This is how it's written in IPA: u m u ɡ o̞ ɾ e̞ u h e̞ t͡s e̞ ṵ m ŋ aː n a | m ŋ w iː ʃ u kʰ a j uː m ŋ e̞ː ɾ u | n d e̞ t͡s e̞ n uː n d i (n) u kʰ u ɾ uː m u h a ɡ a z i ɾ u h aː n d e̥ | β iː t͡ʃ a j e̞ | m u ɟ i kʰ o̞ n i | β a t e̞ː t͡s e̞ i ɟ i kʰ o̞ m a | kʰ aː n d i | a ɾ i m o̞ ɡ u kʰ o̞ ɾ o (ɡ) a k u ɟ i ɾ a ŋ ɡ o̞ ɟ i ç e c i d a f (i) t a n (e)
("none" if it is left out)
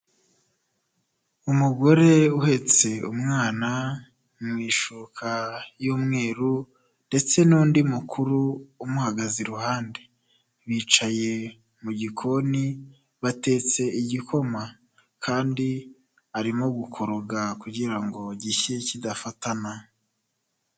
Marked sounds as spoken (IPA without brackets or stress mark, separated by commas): m, ɡ, a, a